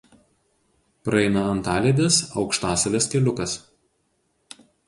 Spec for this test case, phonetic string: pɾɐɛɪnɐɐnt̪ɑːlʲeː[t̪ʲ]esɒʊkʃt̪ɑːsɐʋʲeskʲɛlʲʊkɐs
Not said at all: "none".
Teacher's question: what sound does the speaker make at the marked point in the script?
d̪ʲ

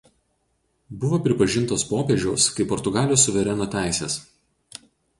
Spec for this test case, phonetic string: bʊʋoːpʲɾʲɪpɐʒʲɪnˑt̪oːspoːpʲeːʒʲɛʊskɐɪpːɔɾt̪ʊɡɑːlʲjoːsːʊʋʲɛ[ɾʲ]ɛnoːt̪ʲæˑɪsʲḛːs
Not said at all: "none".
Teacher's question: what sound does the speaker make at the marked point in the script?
ɾʲ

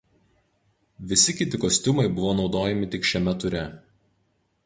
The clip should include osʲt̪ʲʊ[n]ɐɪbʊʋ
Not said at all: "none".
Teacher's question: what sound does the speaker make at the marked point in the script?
m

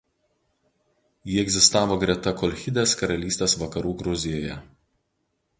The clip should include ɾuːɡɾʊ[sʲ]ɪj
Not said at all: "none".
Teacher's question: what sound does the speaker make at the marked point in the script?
zʲ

